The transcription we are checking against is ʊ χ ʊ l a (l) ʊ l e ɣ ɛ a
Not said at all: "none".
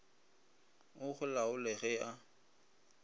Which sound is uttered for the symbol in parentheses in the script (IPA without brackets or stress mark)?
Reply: none